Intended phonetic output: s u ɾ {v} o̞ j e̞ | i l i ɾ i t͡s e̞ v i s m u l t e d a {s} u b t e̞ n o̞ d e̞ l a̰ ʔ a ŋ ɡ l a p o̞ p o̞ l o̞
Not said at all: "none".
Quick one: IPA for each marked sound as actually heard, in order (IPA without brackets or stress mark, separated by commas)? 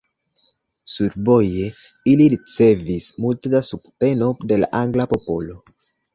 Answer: b, s